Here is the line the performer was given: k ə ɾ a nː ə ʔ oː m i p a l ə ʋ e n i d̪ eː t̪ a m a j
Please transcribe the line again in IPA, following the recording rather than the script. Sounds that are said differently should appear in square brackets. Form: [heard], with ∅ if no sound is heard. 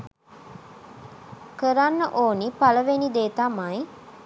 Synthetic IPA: k ə ɾ a nː ə ʔ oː [n] i p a l ə ʋ e n i d̪ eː t̪ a m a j